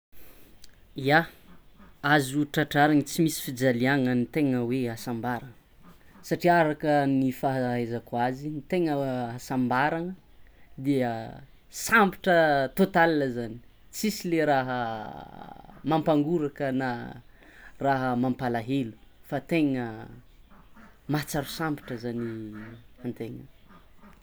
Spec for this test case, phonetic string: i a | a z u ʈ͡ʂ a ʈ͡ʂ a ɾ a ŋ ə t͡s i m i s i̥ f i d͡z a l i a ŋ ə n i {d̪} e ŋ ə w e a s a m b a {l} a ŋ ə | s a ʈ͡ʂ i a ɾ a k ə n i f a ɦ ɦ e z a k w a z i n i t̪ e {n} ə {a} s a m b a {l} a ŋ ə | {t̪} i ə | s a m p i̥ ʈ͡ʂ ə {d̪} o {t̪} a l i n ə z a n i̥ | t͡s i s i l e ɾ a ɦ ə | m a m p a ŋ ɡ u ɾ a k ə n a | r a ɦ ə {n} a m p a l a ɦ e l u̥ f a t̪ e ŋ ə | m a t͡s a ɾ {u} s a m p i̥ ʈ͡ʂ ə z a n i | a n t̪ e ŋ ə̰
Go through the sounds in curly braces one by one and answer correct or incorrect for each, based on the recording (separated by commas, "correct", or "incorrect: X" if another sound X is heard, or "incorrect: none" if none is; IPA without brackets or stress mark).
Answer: incorrect: t̪, incorrect: ɾ, incorrect: ŋ, correct, incorrect: ɾ, incorrect: d̪, incorrect: t̪, correct, incorrect: m, correct